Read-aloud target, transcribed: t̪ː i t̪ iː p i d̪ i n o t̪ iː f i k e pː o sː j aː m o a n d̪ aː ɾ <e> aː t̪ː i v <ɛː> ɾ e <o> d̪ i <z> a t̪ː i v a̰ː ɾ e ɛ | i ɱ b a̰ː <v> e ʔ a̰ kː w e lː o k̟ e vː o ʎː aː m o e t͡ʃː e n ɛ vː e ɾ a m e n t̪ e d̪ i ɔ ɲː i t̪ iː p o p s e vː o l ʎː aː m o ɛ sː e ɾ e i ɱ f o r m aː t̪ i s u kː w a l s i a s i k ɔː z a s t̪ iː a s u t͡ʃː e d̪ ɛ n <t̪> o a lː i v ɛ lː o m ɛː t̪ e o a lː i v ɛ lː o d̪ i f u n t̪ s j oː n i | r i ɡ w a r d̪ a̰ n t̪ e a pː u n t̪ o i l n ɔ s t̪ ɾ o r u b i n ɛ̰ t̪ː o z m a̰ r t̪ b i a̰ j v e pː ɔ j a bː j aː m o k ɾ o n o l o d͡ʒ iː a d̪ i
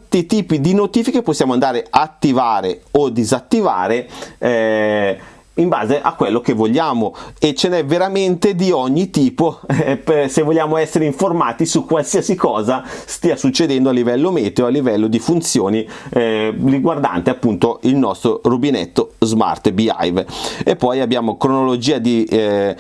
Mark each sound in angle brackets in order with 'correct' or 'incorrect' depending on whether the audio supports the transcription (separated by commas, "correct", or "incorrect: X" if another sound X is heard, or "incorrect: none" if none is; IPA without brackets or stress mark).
correct, incorrect: aː, correct, correct, incorrect: z, incorrect: d̪